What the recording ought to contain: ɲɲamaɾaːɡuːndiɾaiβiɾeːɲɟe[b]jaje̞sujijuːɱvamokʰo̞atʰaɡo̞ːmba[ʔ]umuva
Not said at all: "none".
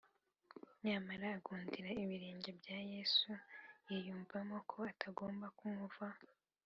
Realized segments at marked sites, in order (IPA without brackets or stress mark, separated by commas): b, k